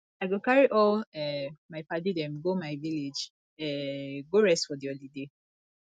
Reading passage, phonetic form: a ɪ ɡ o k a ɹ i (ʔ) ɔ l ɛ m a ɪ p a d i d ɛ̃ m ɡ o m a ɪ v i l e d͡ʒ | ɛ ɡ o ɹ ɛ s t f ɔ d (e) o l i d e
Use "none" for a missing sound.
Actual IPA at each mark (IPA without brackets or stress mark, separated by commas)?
ʔ, i